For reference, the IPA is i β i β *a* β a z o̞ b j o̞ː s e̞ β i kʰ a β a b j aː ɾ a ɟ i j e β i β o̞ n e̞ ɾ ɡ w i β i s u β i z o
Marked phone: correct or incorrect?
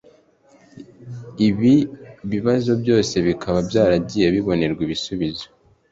incorrect